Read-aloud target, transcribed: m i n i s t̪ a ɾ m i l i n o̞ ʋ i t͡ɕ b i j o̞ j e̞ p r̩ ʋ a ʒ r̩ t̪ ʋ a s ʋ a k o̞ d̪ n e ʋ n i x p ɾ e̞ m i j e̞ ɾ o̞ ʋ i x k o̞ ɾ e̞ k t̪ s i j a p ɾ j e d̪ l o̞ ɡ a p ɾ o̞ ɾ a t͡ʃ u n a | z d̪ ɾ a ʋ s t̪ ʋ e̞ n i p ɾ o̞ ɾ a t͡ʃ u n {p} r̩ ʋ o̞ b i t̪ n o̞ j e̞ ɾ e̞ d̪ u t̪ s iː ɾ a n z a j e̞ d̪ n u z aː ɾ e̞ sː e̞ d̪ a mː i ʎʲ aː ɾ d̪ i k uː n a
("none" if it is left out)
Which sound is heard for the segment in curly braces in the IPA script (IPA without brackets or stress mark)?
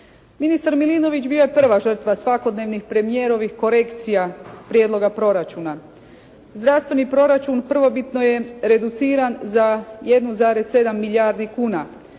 p